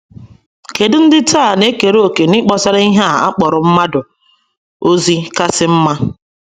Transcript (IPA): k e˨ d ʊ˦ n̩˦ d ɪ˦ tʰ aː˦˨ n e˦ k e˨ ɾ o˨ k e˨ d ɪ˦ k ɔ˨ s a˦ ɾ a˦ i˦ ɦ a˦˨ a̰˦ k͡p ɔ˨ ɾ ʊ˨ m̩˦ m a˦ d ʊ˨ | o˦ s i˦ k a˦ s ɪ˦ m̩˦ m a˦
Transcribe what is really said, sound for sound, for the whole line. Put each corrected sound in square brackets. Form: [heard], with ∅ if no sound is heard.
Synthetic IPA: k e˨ d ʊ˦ n̩˦ d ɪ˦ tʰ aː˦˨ n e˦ k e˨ ɾ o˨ k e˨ [n] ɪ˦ [k͡p] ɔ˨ s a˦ ɾ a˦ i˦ ɦ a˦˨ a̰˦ k͡p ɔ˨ ɾ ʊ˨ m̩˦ m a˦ d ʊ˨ | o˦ [z] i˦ k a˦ s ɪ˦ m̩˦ m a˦